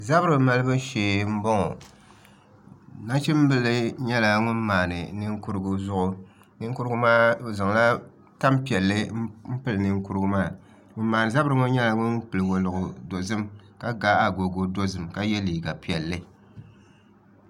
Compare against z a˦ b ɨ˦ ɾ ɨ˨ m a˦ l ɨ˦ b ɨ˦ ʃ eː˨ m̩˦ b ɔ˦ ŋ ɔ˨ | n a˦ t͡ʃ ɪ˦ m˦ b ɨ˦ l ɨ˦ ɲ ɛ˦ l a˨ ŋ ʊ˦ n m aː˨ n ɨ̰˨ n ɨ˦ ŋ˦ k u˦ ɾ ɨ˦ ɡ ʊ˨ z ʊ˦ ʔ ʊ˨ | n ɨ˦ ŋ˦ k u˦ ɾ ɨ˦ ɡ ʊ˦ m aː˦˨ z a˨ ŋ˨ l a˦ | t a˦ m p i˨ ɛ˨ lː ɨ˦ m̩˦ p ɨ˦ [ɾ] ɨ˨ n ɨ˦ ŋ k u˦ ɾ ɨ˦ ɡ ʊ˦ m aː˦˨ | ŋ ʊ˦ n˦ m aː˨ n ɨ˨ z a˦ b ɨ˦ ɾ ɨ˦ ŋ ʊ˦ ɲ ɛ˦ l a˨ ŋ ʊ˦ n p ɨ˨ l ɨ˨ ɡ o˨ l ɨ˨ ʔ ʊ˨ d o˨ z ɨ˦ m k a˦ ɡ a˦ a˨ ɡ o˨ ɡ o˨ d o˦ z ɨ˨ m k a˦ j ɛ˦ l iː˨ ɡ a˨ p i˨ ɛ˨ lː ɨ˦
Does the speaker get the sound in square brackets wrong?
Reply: yes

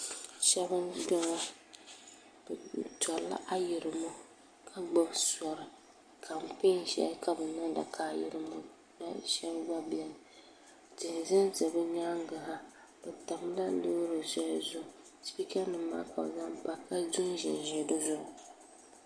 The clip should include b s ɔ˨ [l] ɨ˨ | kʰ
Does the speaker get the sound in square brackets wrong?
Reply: yes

